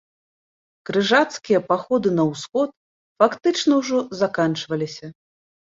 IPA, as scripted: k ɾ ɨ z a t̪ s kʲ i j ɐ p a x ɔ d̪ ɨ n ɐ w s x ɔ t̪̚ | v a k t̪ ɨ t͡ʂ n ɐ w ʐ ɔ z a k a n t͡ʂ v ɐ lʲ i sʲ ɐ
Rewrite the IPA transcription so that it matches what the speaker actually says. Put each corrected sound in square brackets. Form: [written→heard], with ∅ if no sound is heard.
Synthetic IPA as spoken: k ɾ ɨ [z→ʐ] a t̪ s kʲ i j ɐ p a x ɔ d̪ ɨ n ɐ w s x ɔ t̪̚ | [v→f] a k t̪ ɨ t͡ʂ n ɐ w ʐ ɔ z a k a n t͡ʂ v ɐ lʲ i sʲ ɐ